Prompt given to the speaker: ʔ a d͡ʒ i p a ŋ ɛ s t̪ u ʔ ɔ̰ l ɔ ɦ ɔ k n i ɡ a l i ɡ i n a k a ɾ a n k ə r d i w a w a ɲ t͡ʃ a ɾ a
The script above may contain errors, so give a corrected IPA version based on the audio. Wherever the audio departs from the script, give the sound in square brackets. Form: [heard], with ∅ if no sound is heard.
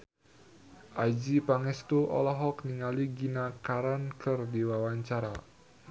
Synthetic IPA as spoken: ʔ a d͡ʒ i p a ŋ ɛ s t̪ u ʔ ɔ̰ l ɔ ɦ ɔ k n i [ŋ] a l i ɡ i n a k a ɾ a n k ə r d i w a w a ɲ t͡ʃ a ɾ a